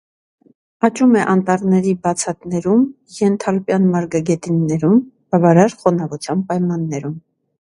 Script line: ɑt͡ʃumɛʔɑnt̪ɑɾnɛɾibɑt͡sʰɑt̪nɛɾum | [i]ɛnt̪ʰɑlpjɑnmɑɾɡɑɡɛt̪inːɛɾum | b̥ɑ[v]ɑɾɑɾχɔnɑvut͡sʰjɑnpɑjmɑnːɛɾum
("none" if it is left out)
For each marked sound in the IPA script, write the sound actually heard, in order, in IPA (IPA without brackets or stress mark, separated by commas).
j, v